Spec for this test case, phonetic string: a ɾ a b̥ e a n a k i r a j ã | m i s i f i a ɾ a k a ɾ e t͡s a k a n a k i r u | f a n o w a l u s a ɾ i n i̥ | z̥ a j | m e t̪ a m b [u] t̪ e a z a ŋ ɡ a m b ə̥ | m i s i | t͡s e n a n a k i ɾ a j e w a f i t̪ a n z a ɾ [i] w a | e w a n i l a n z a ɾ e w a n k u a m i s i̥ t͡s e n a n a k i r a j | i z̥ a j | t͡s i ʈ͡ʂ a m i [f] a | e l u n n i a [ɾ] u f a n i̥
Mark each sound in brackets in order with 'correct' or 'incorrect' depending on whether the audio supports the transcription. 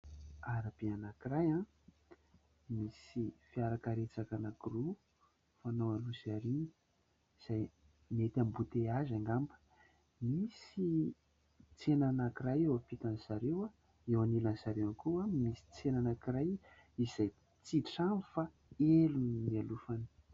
correct, incorrect: e, correct, incorrect: l

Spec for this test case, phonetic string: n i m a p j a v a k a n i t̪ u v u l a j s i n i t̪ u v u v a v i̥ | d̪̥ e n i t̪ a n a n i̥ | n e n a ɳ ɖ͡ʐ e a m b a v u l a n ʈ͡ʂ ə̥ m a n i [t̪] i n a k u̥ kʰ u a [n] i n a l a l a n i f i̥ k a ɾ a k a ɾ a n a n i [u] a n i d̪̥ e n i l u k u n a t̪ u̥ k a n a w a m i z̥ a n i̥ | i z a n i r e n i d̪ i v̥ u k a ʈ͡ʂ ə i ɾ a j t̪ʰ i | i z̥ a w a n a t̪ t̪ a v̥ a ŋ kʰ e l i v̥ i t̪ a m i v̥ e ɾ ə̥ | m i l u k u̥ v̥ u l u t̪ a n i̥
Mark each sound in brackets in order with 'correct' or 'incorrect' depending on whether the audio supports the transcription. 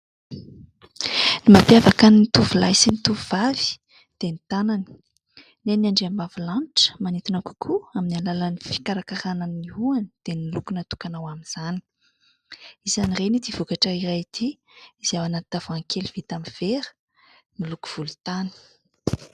correct, incorrect: m, correct

